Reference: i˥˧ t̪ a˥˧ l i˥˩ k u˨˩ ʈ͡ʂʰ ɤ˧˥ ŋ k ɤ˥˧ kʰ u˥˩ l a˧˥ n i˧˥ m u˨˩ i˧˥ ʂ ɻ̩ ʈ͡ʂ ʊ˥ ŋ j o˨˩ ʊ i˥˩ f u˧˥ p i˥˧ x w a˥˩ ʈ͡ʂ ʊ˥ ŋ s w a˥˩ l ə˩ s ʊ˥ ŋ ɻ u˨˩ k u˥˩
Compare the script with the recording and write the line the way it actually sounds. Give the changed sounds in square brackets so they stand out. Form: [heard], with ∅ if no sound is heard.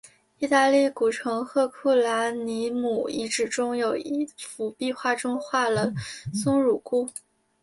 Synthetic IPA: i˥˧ t̪ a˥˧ l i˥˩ k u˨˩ ʈ͡ʂʰ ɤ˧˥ ŋ [x] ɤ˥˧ kʰ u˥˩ l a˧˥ n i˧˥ m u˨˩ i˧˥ [ʈ͡ʂ] ɻ̩ ʈ͡ʂ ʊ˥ ŋ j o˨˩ ʊ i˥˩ f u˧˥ p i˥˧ x w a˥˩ ʈ͡ʂ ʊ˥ ŋ [x] w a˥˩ l ə˩ s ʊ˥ ŋ ɻ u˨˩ k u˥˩